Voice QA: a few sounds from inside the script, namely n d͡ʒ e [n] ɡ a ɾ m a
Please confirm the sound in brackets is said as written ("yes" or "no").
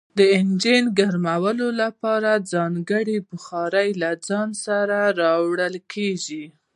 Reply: yes